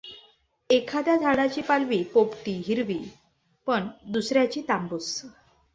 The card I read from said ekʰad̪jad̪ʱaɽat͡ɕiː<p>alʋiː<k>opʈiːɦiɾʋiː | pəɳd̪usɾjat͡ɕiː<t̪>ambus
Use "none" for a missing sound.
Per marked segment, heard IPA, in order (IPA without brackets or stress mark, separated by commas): p, p, t̪